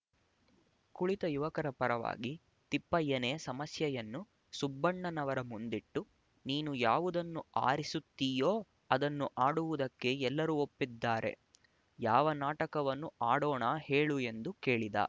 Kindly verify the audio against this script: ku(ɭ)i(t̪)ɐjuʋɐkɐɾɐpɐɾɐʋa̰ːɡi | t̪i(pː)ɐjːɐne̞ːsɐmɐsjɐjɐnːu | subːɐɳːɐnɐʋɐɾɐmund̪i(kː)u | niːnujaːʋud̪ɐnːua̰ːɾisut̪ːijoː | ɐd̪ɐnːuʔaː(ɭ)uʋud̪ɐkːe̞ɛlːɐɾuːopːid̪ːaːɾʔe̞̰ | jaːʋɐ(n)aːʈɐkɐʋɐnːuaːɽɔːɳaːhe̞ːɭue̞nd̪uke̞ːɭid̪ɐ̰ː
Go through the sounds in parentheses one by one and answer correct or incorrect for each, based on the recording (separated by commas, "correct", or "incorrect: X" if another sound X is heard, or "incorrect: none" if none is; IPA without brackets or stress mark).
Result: correct, correct, correct, incorrect: ʈː, incorrect: ɽ, correct